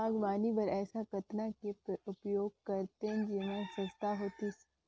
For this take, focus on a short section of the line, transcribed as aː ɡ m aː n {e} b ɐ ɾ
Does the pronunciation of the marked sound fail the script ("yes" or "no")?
yes